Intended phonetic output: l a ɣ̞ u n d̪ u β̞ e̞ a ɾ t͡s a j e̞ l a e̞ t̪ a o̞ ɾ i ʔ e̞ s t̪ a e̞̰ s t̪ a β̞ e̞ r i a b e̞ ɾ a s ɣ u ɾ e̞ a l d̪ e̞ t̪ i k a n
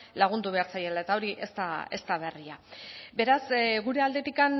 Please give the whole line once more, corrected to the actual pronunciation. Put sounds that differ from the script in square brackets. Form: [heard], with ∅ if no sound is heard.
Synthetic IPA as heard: l a ɣ̞ u n d̪ u β̞ e̞ a ɾ t͡s a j e̞ l a e̞ t̪ a o̞ ɾ i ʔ e̞ s t̪ a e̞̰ s t̪ a β̞ e̞ r i a b e̞ ɾ a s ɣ u ɾ e̞ a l d̪ e̞ t̪ i k a n